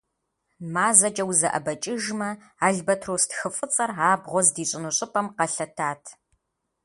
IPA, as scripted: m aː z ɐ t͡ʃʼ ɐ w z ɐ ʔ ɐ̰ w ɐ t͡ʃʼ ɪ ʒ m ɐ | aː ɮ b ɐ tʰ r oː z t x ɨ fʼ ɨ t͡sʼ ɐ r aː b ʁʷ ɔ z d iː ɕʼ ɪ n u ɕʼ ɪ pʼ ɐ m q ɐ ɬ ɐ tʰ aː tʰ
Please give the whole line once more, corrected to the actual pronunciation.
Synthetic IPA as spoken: m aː z ɐ t͡ʃʼ ɐ w z ɐ ʔ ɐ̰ b ɐ t͡ʃʼ ɪ ʒ m ɐ | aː ɮ b ɐ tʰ r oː s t x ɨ fʼ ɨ t͡sʼ ɐ r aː b ʁʷ ɔ z d iː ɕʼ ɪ n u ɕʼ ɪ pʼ ɐ m q ɐ ɬ ɐ tʰ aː tʰ